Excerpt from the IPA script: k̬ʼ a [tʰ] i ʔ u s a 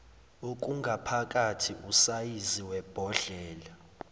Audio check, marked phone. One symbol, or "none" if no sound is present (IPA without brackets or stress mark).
tʰ